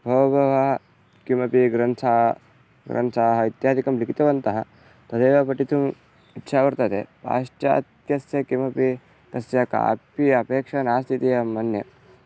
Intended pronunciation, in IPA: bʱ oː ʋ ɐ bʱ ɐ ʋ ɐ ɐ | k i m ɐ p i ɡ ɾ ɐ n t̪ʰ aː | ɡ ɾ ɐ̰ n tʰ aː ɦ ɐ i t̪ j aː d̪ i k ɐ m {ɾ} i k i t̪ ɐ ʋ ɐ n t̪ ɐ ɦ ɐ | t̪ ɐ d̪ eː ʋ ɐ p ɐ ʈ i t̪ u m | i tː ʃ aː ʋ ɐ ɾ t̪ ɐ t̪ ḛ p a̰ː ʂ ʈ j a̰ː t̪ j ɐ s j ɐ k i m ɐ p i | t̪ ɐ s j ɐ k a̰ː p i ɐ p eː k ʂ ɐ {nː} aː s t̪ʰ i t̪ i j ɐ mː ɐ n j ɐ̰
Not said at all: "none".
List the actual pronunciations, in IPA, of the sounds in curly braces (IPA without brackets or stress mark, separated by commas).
l, n